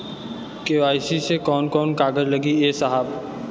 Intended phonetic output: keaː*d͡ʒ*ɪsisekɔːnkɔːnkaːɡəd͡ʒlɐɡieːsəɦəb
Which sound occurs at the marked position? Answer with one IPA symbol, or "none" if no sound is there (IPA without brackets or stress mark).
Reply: none